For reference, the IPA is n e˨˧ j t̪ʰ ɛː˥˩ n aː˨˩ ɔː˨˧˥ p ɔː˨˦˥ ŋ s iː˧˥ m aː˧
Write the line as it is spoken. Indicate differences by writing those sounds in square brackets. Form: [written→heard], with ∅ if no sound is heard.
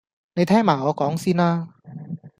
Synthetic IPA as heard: n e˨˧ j t̪ʰ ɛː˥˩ [n→m] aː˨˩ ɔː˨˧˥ [p→k] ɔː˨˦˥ ŋ s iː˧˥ [m→n] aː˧